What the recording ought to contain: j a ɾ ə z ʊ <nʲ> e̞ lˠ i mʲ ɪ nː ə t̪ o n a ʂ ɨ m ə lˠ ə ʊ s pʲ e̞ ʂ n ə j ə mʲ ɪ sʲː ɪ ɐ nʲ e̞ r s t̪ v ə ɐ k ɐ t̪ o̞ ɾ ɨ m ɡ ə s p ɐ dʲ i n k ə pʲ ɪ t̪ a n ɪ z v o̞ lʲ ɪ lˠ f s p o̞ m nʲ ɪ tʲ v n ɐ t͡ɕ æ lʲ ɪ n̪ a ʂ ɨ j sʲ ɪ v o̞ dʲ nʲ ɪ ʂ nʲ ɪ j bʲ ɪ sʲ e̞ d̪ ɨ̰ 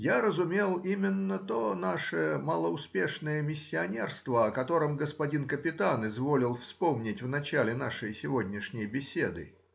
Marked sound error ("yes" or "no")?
yes